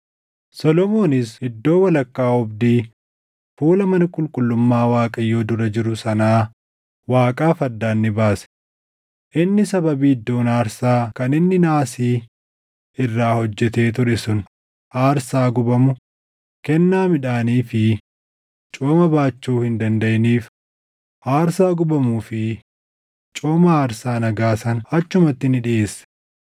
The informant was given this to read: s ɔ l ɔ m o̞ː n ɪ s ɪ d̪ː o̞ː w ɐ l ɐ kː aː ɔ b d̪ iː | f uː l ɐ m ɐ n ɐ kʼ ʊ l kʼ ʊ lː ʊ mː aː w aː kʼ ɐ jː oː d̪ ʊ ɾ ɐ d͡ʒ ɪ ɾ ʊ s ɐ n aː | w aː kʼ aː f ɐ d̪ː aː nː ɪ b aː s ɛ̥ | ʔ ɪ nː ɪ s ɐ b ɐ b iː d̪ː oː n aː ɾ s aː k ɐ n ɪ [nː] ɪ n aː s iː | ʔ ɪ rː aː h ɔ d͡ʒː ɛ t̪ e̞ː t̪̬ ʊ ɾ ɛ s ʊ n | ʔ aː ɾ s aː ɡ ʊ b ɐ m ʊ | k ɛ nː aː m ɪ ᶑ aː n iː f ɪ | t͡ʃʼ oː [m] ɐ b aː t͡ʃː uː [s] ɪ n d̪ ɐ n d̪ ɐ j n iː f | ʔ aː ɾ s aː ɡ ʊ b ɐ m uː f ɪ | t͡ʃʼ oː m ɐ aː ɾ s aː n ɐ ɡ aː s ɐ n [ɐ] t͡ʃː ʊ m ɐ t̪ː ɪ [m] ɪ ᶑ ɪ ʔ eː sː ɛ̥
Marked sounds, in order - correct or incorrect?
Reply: correct, correct, incorrect: h, correct, incorrect: n

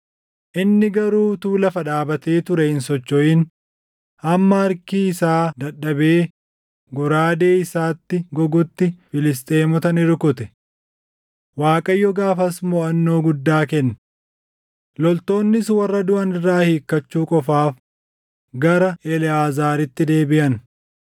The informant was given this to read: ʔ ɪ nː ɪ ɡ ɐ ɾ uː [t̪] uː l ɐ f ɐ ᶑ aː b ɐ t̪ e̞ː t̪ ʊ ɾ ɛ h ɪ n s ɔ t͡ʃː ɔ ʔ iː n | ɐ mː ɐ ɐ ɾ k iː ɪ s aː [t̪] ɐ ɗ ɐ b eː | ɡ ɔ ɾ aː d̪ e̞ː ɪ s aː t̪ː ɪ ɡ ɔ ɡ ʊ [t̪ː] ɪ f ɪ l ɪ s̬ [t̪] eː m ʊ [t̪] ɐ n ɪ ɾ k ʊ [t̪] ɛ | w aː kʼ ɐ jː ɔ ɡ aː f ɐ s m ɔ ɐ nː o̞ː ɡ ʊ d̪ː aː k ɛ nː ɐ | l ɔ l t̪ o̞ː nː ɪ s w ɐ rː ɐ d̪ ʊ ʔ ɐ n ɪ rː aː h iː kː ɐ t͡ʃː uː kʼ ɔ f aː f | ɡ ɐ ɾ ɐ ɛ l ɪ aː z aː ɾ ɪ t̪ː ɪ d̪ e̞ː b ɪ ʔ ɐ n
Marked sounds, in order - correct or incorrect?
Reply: correct, incorrect: d̪, correct, incorrect: t̪ʼ, correct, correct

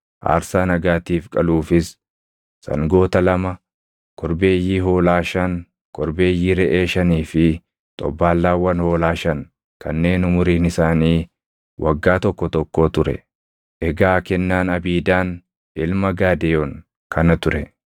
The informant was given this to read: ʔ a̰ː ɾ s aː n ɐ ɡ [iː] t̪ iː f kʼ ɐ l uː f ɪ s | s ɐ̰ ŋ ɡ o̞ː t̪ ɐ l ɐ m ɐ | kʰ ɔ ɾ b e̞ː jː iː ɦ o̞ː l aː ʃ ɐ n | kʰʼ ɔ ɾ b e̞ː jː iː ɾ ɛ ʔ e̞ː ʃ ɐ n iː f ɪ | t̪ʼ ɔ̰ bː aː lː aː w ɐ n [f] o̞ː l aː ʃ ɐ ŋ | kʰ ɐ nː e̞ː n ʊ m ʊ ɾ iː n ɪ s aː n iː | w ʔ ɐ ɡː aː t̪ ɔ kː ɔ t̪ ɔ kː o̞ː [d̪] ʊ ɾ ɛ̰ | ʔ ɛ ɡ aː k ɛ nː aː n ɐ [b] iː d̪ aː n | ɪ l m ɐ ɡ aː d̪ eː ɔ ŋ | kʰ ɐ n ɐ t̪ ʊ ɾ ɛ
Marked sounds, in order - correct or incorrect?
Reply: incorrect: aː, incorrect: h, incorrect: t̪, correct

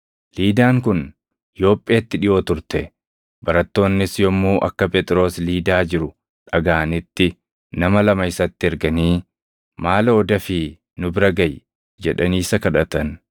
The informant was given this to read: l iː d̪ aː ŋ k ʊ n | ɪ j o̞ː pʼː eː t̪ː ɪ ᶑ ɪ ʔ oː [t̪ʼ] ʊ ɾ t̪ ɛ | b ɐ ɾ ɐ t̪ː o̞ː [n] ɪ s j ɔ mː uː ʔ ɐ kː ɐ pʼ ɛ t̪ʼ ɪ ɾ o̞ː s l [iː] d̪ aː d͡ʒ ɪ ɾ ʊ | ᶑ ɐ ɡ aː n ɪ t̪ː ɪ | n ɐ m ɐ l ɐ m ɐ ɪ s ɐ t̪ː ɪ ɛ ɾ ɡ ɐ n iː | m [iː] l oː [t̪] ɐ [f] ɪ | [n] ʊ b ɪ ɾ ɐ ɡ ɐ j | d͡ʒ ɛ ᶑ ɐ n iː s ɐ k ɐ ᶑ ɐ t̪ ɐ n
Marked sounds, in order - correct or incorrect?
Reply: incorrect: t̪, incorrect: nː, correct, incorrect: aː, incorrect: d̪, correct, correct

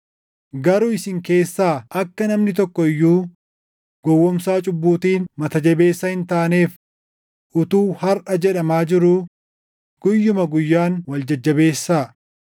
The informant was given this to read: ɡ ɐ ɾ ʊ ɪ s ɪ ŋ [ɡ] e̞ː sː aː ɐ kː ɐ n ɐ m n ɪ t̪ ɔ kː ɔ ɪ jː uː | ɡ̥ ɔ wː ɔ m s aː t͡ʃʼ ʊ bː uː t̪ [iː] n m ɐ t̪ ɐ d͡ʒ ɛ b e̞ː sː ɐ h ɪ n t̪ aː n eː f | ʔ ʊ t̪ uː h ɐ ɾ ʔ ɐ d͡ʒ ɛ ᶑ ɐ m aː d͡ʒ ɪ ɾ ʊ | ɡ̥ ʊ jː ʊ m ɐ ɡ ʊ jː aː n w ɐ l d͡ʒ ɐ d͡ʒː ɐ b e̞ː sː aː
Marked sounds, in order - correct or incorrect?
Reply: incorrect: k, correct

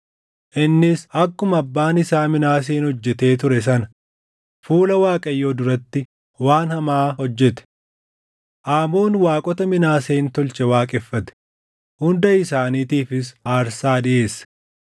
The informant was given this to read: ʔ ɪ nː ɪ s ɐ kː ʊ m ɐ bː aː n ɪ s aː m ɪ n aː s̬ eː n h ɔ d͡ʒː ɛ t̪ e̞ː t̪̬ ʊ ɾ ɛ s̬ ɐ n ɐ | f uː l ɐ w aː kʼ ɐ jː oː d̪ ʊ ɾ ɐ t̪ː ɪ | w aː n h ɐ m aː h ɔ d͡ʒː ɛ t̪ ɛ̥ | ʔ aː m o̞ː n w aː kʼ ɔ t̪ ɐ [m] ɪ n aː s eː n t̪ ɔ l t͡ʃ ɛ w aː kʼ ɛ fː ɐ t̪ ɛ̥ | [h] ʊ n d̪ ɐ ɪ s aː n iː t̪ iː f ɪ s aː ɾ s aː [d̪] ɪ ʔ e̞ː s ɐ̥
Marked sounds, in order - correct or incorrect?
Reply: correct, correct, correct

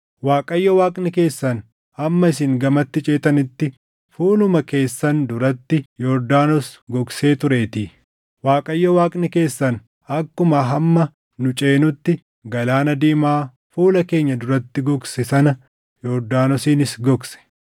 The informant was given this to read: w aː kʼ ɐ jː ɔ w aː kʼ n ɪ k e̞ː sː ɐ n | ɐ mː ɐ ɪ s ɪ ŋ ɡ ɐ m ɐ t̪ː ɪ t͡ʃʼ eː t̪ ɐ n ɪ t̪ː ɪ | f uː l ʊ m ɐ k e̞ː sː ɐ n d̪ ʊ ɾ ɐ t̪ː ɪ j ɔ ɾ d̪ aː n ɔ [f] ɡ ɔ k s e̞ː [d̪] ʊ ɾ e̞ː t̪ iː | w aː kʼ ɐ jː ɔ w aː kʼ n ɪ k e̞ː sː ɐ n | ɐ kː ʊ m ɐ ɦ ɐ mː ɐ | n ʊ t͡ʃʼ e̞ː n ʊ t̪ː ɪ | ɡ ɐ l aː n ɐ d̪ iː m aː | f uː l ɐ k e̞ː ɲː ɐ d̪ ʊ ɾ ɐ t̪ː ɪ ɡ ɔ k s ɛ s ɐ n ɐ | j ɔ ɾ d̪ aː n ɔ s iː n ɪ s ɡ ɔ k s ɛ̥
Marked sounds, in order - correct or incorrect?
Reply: incorrect: s, incorrect: t̪

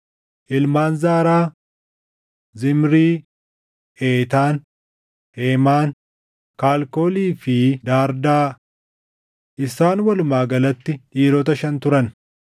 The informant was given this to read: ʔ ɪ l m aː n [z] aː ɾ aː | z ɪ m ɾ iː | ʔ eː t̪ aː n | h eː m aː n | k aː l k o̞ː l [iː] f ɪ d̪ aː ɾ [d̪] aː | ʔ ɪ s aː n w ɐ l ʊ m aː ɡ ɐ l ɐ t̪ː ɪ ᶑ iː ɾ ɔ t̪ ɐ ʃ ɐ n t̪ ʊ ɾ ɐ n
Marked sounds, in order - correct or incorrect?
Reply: correct, correct, correct

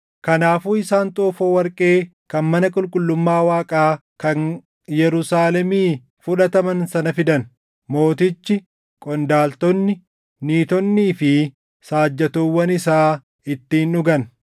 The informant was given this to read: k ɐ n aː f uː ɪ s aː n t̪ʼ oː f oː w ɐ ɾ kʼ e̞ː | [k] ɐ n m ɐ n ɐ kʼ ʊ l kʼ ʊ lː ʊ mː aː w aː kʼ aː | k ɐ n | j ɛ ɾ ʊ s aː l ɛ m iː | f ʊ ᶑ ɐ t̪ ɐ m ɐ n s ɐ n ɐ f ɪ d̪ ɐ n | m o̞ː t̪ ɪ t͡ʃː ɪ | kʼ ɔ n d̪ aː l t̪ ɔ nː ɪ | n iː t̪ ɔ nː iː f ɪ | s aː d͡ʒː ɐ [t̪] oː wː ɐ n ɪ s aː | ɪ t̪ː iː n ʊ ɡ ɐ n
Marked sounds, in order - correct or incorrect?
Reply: correct, correct

